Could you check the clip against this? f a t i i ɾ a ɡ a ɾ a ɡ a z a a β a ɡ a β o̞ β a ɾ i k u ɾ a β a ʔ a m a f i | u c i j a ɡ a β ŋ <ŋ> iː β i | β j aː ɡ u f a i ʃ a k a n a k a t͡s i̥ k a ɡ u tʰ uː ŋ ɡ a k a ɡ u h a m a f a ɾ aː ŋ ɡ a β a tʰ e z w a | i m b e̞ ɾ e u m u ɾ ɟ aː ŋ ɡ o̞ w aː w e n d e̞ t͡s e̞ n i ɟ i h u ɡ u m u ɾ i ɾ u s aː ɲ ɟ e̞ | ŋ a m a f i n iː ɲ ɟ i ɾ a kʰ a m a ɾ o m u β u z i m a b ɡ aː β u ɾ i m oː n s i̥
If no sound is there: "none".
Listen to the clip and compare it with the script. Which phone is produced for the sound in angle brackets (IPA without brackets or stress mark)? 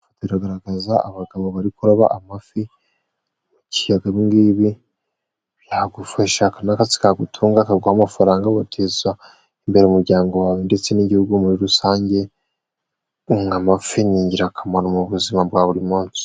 ɡ